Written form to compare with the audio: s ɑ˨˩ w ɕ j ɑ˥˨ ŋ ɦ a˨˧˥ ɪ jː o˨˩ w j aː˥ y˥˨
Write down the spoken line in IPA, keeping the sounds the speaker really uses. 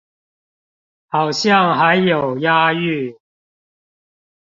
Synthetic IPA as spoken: h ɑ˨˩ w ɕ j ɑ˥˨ ŋ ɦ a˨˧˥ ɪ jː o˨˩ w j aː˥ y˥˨